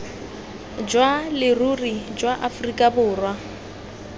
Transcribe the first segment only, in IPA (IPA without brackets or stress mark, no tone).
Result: d͡ʒ